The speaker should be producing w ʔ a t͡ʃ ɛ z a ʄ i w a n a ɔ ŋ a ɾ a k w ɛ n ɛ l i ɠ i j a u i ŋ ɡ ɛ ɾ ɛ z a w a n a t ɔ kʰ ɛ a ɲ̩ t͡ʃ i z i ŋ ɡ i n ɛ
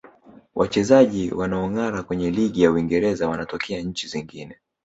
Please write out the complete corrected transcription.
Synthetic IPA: w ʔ a t͡ʃ ɛ z a ʄ i w a n a ɔ ŋ a ɾ a k w ɛ ɲ ɛ l i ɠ i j a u i ŋ ɡ ɛ ɾ ɛ z a w a n a t ɔ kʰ ɛ a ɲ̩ t͡ʃ i z i ŋ ɡ i n ɛ